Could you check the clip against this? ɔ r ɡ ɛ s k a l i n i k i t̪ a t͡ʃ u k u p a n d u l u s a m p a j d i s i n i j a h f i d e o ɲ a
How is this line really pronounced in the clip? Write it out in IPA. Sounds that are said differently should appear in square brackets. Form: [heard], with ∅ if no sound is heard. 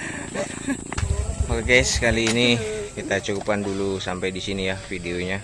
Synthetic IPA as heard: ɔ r ɡ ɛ s k a l [iː] n i k i t̪ a t͡ʃ u k u p a n d u l u s a m p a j d i s i n i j a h f i d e o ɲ a